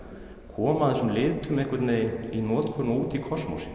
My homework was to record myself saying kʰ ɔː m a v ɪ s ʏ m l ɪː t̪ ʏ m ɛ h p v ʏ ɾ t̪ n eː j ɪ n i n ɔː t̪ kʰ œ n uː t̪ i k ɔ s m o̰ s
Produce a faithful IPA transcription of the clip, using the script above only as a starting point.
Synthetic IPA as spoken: kʰ ɔː m a ð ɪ s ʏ m l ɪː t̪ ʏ m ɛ h k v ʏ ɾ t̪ n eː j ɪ n i n ɔː t̪ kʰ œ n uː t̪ i kʰ ɔ s m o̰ s